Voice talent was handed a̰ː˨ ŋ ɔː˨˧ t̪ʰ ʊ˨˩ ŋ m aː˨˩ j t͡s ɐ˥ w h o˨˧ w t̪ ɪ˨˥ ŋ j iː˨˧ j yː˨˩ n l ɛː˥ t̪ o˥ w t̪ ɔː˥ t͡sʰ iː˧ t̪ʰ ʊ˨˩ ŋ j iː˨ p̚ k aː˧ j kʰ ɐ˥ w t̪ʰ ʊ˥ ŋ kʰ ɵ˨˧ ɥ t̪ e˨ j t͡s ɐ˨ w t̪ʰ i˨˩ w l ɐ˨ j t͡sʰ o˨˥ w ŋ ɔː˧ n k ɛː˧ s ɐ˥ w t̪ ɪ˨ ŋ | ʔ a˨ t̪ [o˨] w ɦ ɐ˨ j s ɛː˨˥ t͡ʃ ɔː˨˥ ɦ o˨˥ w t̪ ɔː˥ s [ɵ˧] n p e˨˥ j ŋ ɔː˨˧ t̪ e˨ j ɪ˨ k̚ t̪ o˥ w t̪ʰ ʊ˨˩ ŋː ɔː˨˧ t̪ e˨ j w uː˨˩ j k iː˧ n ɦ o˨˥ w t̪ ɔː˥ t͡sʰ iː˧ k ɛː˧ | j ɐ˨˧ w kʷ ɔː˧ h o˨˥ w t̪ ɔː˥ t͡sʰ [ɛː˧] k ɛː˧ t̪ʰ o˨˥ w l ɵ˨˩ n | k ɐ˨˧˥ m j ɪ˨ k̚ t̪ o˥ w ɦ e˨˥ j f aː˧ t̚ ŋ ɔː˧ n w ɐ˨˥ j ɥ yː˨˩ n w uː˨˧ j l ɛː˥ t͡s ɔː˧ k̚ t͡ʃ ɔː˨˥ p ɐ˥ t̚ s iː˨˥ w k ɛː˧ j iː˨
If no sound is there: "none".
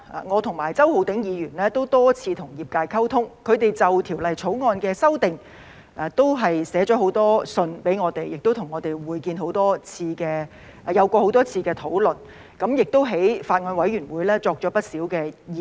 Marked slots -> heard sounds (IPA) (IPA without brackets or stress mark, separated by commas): o˥, ɵ˧, iː˧